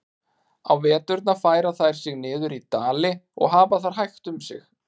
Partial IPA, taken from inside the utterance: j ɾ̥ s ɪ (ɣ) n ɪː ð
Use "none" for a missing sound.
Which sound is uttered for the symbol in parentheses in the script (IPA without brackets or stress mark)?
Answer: ɣ